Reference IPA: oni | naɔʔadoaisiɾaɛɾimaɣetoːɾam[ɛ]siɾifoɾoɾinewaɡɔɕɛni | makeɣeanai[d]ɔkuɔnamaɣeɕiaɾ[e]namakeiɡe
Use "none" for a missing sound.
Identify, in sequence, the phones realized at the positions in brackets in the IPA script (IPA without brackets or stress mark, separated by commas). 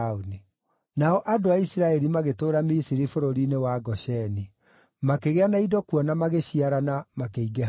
i, d, a